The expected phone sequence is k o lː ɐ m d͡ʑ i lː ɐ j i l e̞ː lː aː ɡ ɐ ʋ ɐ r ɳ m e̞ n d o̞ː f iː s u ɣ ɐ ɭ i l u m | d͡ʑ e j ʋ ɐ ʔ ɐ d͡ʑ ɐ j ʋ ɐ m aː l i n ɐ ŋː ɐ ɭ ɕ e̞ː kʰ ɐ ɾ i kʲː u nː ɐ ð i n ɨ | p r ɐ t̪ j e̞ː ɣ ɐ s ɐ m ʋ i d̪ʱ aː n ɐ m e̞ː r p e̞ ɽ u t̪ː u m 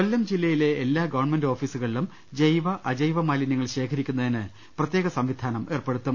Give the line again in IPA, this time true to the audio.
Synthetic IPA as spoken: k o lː ɐ m d͡ʑ i lː ɐ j i l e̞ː lː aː ɡ ɐ ʋ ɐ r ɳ m e̞ n d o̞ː f iː s u ɣ ɐ ɭ i l u m | d͡ʑ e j ʋ ɐ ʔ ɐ d͡ʑ ɐ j ʋ ɐ m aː l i n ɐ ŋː ɐ ɭ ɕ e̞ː kʰ ɐ ɾ i kʲː u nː ɐ ð i n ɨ | p r ɐ t̪ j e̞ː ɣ ɐ s ɐ m ʋ i d̪ʱ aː n ɐ m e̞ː r p e̞ ɽ u t̪ː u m